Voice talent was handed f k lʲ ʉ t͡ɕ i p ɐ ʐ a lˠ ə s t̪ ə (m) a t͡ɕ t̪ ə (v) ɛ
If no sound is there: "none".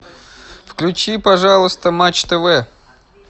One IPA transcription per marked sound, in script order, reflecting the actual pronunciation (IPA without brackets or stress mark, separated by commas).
m, v